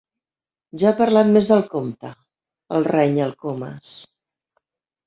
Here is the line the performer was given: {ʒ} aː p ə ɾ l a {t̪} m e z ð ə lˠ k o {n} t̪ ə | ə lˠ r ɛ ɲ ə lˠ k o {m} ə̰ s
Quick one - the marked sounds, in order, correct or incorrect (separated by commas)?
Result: correct, correct, incorrect, correct